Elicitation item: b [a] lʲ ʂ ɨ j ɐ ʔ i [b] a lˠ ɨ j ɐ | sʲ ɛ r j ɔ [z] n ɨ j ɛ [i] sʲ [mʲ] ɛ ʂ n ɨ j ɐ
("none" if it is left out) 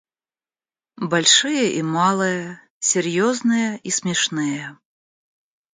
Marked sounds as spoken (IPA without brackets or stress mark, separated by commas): a, m, z, i, mʲ